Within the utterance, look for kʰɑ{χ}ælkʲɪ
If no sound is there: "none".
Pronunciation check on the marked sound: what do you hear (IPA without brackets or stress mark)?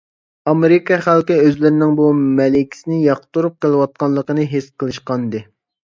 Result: χ